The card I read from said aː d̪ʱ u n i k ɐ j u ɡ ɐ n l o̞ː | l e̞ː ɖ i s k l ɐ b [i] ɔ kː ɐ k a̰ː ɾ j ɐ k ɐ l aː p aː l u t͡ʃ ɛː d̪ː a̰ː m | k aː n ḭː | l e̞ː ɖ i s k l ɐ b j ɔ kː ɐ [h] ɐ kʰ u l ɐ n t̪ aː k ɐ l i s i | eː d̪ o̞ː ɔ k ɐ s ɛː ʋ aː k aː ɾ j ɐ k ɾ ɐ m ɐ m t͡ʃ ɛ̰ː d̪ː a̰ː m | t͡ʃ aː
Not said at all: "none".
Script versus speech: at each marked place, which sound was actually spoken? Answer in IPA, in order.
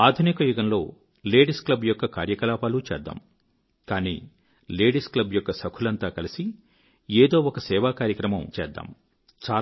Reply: j, s

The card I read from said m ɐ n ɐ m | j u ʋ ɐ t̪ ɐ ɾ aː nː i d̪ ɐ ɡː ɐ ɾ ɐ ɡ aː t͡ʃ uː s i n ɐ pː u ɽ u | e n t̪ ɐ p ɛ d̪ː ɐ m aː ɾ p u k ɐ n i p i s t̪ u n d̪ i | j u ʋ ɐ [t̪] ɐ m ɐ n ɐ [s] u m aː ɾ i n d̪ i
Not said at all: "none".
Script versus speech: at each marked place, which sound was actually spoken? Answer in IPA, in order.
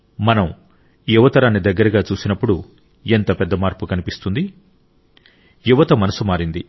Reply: t̪, s

